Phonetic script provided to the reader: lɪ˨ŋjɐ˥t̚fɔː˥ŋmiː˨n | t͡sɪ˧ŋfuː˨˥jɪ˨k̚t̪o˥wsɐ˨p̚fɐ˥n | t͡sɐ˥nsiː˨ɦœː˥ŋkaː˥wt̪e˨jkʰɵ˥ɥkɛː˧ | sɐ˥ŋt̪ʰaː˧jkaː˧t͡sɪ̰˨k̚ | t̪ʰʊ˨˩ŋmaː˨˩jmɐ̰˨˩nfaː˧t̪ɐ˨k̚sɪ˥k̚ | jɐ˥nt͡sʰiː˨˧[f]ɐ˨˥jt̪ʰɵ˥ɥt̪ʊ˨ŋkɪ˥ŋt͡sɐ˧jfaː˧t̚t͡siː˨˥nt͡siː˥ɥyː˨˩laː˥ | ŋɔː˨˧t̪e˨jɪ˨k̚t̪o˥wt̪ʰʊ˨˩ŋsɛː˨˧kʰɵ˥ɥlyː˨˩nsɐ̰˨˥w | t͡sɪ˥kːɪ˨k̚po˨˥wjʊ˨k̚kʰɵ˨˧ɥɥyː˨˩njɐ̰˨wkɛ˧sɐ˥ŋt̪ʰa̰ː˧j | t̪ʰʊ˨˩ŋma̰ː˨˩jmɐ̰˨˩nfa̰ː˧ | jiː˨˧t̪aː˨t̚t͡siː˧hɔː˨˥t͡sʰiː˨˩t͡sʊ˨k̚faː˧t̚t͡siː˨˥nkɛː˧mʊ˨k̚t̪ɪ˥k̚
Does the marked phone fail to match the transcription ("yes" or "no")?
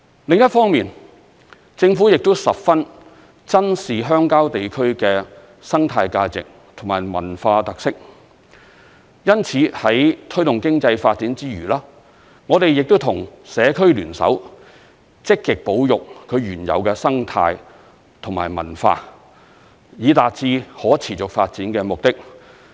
yes